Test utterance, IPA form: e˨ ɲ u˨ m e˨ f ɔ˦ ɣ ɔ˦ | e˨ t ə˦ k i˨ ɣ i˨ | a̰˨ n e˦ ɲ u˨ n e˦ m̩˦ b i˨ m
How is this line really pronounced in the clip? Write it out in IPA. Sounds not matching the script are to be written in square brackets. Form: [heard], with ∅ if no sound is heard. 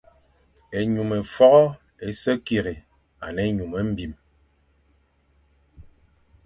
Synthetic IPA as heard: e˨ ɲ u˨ m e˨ f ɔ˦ ɣ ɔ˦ | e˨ [s] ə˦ k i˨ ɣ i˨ | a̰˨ n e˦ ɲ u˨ [m] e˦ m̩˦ b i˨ m